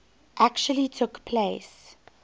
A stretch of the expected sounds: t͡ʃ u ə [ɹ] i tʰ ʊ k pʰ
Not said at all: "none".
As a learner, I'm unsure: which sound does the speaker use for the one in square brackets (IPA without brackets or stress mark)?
l